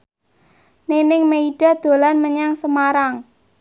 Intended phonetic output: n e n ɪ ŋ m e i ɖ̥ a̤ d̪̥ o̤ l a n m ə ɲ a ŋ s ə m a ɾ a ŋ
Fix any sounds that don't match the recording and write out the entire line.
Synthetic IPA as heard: n e n ɪ ŋ m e i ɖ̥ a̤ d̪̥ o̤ l a n m ə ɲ a ŋ s ə m a ɾ a ŋ